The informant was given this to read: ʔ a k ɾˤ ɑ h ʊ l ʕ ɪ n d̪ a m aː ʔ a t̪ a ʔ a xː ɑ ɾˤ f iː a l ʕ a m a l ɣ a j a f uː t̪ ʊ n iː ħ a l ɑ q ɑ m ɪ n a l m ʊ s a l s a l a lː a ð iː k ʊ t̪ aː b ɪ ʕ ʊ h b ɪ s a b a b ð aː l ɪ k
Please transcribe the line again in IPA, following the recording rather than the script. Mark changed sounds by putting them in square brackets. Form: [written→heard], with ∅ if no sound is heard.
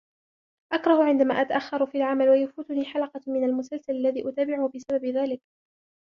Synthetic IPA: ʔ a k ɾˤ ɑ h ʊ [l→∅] ʕ ɪ n d̪ a m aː ʔ a t̪ a ʔ a xː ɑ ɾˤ f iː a l ʕ a m a l [ɣ→w] a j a f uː t̪ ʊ n iː ħ a l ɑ q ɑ m ɪ n a l m ʊ s a l s a l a lː a ð iː [k→ʔ] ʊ t̪ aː b ɪ ʕ ʊ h b ɪ s a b a b ð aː l ɪ k